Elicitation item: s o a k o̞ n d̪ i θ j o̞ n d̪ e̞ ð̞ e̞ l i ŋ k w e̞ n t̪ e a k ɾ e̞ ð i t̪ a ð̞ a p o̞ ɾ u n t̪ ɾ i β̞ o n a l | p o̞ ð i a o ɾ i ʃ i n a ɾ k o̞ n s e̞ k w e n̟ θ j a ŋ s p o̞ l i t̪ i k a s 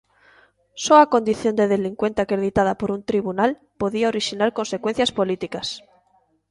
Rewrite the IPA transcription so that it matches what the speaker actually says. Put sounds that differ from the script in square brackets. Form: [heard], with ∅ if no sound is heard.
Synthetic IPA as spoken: s o a k o̞ n d̪ i θ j o̞ n d̪ e̞ ð̞ e̞ l i ŋ k w e̞ n t̪ e a k ɾ e̞ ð i t̪ a ð̞ a p o̞ ɾ u n t̪ ɾ i β̞ [u] n a l | p o̞ ð i a o ɾ i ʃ i n a ɾ k o̞ n s e̞ k w e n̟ θ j a [∅] s p o̞ l i t̪ i k a s